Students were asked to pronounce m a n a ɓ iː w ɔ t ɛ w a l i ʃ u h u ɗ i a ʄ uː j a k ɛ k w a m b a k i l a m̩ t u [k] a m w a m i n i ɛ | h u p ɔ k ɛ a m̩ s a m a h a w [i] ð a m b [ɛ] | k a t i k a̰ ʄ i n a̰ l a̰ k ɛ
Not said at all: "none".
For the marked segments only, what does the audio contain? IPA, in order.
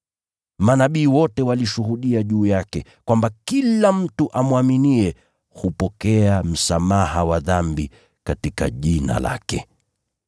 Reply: ʔ, a, i

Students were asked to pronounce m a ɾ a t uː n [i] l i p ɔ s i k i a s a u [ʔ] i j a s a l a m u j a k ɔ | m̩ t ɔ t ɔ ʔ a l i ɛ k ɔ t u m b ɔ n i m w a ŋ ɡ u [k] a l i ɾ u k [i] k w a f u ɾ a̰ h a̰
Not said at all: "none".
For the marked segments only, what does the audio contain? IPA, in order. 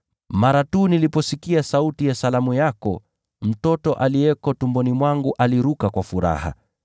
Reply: i, t, ʔ, a

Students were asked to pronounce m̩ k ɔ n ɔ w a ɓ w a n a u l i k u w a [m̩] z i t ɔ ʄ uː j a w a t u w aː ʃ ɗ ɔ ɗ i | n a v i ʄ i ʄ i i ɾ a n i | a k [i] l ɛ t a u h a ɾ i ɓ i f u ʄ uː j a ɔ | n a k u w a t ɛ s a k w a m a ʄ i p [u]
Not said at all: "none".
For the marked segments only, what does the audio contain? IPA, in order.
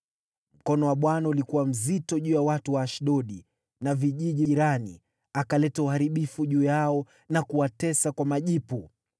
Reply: m̩, a, u

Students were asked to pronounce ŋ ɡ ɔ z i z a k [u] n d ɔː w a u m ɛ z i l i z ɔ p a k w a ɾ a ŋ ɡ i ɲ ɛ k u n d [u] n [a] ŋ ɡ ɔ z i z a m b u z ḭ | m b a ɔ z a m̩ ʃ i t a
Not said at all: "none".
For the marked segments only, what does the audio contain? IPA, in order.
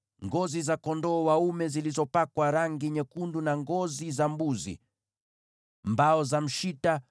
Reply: ɔ, u, a

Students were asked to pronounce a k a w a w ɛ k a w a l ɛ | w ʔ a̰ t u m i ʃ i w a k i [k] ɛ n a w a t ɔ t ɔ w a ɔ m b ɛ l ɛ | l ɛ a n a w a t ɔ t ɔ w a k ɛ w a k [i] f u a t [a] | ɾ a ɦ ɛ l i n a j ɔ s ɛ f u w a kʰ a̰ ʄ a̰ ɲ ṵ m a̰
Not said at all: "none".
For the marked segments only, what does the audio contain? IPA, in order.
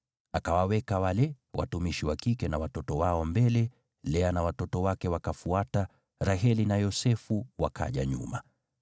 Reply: k, a, a

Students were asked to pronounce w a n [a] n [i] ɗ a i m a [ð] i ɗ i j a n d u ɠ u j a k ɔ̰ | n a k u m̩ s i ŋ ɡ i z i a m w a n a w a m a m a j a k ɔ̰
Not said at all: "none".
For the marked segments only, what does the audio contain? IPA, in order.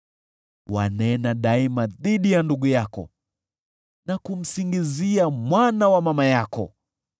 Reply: ɛ, a, ð

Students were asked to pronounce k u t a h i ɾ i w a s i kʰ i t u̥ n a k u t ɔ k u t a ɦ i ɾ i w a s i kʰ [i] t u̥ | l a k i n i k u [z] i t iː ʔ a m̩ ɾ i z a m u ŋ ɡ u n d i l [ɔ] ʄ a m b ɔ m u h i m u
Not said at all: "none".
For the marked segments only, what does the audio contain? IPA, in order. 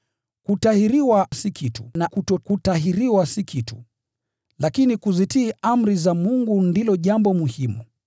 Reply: i, z, ɔ

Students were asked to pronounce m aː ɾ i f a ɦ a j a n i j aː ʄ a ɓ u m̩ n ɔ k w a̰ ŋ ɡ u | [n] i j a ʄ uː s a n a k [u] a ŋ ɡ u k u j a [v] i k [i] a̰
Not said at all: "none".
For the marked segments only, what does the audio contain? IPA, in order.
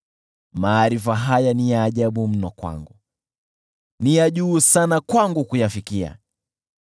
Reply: n, w, f, i

